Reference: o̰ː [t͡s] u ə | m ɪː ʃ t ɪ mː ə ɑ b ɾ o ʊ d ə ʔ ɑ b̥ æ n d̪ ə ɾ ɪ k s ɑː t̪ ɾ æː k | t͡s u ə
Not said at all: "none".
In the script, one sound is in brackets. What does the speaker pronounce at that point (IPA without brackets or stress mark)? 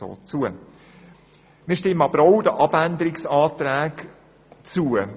t͡s